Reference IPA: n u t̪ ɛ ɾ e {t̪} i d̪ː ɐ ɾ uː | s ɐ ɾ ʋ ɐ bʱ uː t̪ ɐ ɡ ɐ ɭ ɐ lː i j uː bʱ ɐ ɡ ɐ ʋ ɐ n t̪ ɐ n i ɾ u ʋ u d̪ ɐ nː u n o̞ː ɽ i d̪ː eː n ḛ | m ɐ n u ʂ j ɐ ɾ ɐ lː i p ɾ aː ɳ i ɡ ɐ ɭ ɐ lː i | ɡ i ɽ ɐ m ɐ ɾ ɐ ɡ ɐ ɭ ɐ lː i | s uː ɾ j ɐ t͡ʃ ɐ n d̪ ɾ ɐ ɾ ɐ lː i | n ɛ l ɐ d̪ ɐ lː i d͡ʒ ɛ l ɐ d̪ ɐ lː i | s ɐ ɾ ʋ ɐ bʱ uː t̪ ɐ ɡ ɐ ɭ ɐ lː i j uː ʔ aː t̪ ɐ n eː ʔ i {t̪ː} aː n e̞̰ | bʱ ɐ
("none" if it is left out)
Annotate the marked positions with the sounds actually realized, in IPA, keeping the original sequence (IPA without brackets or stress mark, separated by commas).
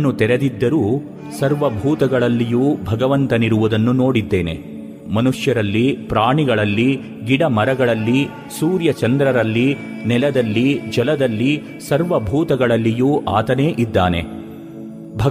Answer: d̪, d̪ː